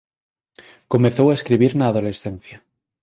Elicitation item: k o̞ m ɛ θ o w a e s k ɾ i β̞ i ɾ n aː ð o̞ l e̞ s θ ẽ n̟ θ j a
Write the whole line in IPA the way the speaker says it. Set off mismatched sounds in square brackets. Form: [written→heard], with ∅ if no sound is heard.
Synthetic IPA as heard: k o̞ m [ɛ→e] θ o w a e s k ɾ i β̞ i ɾ n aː ð o̞ l e̞ s θ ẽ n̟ θ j a